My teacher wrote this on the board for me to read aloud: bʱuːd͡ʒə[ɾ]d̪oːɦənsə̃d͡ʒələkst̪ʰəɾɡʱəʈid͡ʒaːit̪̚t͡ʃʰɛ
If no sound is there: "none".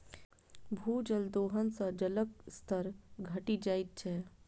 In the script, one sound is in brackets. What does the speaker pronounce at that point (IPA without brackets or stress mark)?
l